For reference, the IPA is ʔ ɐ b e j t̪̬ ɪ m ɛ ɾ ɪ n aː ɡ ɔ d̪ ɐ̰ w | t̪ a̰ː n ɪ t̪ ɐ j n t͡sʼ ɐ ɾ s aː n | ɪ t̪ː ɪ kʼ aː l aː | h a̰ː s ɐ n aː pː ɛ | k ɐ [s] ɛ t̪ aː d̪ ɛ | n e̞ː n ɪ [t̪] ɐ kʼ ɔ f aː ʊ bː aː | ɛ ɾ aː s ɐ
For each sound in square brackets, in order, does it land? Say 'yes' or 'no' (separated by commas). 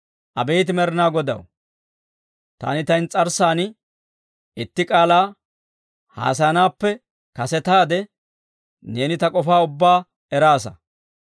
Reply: yes, yes